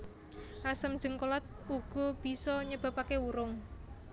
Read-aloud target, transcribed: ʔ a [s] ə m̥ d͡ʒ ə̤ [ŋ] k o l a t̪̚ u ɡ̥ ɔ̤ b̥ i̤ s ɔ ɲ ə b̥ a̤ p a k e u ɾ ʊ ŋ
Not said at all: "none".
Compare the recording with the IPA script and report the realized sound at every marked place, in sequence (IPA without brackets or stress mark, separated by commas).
s, ŋ